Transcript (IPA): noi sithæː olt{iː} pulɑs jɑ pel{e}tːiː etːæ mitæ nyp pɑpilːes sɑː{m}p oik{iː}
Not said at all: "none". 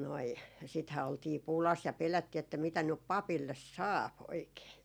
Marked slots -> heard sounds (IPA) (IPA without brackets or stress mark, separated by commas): iː, æ, none, eː